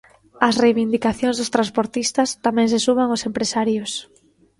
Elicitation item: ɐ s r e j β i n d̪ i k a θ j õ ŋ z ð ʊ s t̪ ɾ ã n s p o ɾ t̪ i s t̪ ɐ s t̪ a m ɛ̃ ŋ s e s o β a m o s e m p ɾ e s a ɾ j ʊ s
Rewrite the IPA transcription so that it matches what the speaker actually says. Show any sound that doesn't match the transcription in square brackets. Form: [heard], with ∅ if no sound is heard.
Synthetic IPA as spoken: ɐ s r e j β i n d̪ i k a θ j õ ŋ z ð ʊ s t̪ ɾ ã n s p o ɾ t̪ i s t̪ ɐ s t̪ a m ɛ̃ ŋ s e s [u] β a [ŋ] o s e m p ɾ e s a ɾ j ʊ s